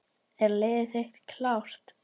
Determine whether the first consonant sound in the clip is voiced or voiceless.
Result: voiced